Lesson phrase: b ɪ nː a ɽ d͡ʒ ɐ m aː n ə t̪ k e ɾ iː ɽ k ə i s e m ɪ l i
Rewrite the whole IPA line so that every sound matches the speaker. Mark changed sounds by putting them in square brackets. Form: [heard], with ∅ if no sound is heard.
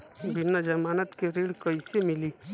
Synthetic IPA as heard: b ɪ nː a [∅] d͡ʒ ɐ m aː n ə t̪ k e ɾ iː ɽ k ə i s e m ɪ l i